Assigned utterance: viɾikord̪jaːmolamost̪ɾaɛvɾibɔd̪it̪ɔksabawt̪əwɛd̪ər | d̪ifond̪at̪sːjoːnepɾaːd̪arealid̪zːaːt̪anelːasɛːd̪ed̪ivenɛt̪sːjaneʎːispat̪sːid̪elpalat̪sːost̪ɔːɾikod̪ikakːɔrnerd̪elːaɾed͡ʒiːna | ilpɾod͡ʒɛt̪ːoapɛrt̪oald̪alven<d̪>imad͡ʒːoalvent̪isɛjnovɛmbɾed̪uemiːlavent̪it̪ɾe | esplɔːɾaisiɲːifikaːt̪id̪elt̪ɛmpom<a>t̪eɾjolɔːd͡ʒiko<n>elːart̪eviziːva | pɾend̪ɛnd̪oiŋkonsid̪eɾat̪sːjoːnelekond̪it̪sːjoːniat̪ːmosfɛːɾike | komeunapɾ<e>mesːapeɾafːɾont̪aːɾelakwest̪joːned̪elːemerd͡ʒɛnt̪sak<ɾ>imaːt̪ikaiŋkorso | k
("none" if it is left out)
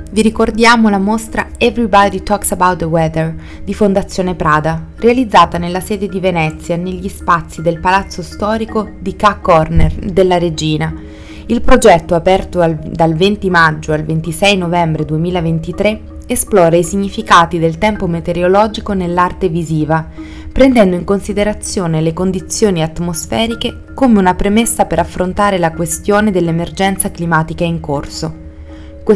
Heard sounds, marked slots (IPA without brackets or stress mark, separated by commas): t̪, e, n, e, l